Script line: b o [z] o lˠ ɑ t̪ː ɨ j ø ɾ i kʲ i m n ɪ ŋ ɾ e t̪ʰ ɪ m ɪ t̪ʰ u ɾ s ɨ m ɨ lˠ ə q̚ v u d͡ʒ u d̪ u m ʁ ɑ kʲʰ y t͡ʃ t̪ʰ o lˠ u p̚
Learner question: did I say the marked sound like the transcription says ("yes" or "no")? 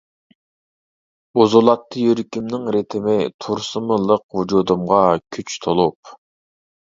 yes